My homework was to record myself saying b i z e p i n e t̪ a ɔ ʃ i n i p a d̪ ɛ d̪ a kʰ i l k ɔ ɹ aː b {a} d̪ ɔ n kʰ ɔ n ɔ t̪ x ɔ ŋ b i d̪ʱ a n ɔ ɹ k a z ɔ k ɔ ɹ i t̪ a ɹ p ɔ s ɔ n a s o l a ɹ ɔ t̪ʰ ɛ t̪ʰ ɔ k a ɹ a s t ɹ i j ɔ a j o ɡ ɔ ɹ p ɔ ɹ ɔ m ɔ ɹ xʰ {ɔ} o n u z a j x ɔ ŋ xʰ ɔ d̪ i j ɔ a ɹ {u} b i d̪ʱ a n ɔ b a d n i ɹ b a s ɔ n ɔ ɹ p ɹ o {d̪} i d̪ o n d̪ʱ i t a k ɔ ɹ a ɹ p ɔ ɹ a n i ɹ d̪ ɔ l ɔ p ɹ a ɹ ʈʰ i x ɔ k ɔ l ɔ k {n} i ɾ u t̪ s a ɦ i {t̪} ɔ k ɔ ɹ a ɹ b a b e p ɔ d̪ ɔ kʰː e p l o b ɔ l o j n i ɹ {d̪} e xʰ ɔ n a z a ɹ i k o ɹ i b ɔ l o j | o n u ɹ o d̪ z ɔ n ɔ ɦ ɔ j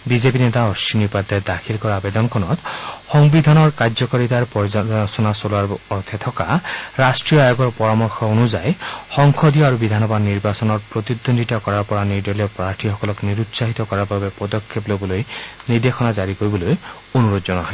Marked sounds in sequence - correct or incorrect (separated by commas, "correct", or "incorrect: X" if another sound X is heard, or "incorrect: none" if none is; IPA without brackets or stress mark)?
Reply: incorrect: e, correct, correct, incorrect: t̪, correct, correct, correct